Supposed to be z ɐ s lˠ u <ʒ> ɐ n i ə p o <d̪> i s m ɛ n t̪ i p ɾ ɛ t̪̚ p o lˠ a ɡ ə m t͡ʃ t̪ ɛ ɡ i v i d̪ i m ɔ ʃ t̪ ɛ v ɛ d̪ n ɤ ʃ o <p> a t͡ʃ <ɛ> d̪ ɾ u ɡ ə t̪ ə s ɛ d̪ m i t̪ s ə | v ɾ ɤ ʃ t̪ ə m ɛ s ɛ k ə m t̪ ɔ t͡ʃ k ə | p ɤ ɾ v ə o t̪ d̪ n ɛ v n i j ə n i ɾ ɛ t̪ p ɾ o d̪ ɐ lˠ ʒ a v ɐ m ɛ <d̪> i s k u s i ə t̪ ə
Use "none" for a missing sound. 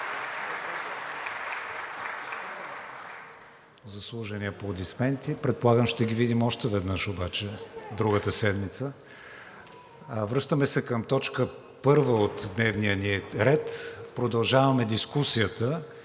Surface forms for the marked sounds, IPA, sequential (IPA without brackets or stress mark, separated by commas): ʒ, d̪, b, ɛ, d̪